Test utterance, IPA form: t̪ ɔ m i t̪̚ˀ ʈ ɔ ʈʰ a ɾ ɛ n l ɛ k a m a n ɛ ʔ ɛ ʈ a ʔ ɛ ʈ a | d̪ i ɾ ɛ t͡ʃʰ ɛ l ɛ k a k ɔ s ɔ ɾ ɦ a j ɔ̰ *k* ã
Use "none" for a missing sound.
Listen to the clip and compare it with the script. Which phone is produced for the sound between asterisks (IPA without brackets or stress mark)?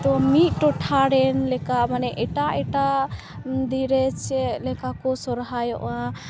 ʔ